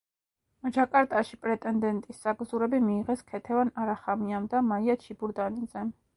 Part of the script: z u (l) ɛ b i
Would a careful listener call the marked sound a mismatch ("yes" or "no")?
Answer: yes